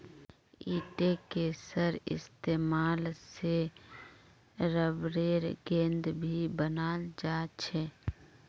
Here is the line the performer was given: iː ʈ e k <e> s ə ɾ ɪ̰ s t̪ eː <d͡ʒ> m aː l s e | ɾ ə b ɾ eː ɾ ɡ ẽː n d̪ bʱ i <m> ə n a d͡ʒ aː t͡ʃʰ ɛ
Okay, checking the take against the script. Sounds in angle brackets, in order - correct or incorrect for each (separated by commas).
correct, incorrect, incorrect